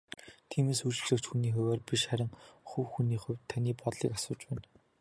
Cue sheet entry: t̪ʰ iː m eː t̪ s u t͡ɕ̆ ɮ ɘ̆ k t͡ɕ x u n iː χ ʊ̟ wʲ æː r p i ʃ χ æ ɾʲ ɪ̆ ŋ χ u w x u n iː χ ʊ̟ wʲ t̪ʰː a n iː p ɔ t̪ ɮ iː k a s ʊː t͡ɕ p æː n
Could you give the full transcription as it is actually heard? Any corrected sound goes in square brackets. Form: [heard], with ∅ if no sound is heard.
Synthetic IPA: t̪ʰ iː m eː [∅] s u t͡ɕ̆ ɮ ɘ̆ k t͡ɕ x u n iː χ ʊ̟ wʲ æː r p i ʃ χ æ ɾʲ ɪ̆ ŋ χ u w x u n iː χ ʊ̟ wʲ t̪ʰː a n iː p ɔ t̪ ɮ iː k a s ʊː t͡ɕ p æː n

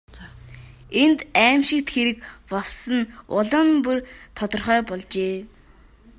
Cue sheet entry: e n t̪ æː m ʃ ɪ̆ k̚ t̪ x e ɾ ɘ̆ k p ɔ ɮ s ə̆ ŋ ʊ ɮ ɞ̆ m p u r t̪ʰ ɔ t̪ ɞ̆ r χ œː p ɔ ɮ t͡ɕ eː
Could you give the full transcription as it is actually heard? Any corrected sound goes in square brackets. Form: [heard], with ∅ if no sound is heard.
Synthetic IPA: e n t̪ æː m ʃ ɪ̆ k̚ t̪ x e ɾ ɘ̆ k p ɔ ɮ s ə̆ [n] ʊ ɮ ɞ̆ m p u r t̪ʰ ɔ t̪ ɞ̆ r χ œː p ɔ ɮ t͡ɕ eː

